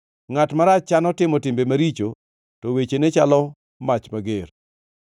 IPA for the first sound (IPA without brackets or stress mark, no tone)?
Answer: ŋ